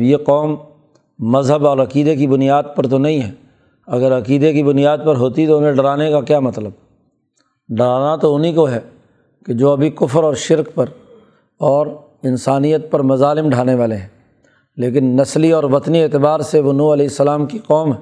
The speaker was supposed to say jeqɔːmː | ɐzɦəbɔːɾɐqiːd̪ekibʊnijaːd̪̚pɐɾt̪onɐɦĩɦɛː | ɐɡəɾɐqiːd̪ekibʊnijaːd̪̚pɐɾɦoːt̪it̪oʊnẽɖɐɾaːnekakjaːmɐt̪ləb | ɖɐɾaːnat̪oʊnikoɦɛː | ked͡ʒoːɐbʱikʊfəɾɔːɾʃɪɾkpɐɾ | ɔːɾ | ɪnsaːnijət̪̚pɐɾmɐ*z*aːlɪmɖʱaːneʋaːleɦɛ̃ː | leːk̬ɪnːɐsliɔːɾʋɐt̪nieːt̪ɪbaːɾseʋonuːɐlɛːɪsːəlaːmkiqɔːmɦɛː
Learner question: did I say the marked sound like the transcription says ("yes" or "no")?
yes